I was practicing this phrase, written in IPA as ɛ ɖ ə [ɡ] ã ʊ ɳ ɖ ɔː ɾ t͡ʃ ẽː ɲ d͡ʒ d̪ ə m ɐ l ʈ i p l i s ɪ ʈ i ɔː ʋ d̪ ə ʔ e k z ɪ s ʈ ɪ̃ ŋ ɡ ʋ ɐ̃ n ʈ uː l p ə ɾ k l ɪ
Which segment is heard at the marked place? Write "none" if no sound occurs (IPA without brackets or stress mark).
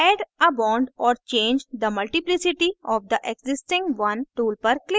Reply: b